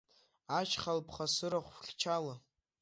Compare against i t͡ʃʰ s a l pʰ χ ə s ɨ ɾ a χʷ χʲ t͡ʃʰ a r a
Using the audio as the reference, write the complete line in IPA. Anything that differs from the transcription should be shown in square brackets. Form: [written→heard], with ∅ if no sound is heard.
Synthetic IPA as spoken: [i→a] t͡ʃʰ [s→χ] a l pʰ χ [ə→a] s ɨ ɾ a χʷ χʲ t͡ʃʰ a [r→l] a